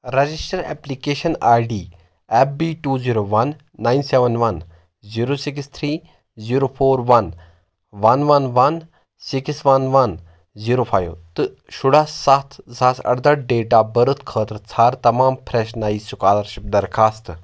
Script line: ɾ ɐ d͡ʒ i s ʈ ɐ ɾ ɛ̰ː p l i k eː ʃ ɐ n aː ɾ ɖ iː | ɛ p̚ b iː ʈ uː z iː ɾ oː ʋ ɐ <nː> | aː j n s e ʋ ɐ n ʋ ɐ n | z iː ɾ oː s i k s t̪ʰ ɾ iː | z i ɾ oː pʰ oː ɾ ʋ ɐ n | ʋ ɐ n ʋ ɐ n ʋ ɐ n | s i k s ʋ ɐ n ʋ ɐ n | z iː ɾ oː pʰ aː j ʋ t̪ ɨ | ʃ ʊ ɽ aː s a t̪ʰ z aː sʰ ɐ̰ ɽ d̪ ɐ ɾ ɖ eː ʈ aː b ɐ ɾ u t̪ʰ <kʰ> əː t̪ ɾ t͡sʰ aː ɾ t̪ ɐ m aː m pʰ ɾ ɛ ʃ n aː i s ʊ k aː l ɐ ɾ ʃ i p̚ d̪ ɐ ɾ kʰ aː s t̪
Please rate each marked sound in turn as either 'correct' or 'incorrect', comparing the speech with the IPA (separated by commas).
correct, correct